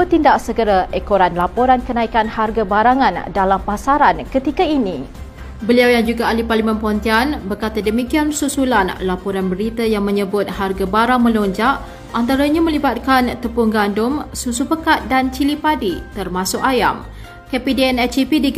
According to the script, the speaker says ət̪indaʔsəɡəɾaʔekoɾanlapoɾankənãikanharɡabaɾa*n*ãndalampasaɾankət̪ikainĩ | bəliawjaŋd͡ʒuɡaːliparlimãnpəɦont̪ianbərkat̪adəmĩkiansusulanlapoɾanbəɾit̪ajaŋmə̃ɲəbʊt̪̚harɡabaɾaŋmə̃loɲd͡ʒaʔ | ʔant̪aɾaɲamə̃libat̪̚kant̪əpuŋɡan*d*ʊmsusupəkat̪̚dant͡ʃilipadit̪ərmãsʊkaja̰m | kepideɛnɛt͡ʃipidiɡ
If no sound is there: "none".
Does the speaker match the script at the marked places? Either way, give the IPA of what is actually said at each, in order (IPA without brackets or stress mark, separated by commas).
ŋ, d